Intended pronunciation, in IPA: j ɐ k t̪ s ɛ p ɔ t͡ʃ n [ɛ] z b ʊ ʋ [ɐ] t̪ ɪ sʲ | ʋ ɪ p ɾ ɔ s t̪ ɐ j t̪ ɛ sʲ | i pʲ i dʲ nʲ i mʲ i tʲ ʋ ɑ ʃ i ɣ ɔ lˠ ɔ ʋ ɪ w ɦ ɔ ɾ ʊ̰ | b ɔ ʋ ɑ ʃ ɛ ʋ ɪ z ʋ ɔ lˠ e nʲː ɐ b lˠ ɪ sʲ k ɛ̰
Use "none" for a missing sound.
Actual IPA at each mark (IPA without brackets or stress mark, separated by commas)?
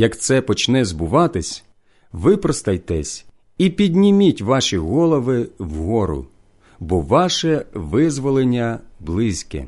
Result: ɛ, ɑ